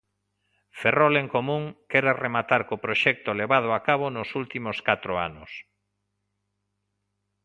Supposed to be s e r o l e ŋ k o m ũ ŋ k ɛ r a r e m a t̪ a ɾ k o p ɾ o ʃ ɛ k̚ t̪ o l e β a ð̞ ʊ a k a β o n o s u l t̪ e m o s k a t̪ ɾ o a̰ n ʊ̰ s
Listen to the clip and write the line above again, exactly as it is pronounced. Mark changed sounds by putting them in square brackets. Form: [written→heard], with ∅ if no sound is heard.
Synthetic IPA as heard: [s→f] e r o l e ŋ k o m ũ ŋ k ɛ [r→ɾ] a r e m a t̪ a ɾ k o p ɾ o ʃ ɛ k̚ t̪ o l e β a ð̞ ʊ a k a β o n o s u l t̪ [e→i] m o s k a t̪ ɾ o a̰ n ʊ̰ s